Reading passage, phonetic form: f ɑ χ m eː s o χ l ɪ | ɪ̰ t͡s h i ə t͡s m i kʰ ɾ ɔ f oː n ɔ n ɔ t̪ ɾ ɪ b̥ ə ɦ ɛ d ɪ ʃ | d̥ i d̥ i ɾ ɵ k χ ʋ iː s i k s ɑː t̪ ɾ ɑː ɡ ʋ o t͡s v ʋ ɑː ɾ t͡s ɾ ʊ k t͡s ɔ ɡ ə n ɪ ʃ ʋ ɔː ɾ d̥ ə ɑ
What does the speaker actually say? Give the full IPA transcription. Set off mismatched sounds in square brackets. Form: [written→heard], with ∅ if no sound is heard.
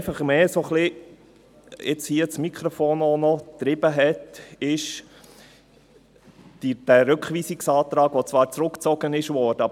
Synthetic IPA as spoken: f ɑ χ m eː s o χ l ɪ | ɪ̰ t͡s h i ə t͡s m i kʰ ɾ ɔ f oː n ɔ n ɔ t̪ ɾ ɪ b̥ ə ɦ ɛ [d→t] ɪ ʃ | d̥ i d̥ [i→æ] ɾ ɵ k χ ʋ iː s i k s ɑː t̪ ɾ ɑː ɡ ʋ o t͡s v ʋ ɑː ɾ t͡s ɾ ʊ k t͡s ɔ ɡ ə n ɪ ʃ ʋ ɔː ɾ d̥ ə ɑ